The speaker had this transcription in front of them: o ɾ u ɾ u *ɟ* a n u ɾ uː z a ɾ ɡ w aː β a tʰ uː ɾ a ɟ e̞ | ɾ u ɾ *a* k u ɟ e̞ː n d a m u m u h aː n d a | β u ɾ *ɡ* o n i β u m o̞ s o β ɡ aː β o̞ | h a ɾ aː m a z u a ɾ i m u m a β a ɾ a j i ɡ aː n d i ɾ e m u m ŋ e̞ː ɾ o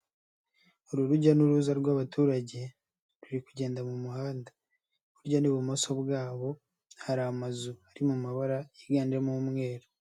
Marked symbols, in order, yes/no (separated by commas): yes, no, no